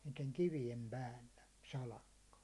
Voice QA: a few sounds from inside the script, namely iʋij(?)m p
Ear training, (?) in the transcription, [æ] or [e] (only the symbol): e